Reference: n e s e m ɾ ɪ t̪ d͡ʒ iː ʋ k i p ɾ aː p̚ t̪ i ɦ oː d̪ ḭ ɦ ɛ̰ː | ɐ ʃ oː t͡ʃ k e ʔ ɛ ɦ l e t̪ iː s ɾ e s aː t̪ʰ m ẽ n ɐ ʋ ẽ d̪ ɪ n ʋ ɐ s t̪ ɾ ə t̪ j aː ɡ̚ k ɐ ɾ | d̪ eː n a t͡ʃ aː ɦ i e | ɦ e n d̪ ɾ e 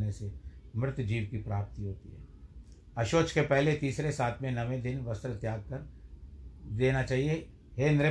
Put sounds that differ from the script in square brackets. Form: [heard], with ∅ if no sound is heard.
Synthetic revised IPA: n e s e m ɾ ɪ t̪ d͡ʒ iː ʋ k i p ɾ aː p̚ t̪ i ɦ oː [t̪] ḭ ɦ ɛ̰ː | ɐ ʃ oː t͡ʃ k e [p] ɛ ɦ l e t̪ iː s ɾ e s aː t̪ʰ m ẽ n ɐ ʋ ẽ d̪ ɪ n ʋ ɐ s t̪ ɾ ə t̪ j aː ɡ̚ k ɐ ɾ | d̪ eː n a t͡ʃ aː ɦ i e | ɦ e n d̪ ɾ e